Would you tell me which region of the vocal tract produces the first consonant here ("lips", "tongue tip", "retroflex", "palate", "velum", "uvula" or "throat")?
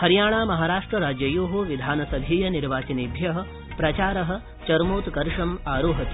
throat